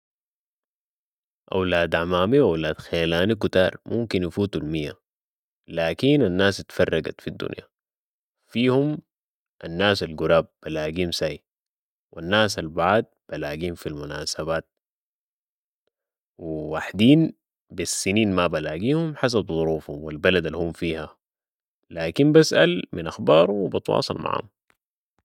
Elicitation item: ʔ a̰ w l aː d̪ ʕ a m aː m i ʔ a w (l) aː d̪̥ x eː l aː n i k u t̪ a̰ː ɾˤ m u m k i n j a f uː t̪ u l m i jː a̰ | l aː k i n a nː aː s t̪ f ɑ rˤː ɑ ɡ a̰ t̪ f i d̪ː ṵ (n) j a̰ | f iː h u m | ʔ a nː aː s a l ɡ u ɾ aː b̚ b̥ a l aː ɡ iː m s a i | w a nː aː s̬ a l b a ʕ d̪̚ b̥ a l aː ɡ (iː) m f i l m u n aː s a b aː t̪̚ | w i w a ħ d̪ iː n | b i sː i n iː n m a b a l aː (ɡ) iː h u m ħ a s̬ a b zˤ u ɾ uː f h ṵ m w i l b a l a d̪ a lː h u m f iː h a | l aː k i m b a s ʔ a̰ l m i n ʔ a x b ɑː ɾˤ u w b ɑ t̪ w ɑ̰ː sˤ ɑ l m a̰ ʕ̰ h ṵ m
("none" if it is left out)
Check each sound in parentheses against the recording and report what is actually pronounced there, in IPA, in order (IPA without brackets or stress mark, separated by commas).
l, n, iː, ɡ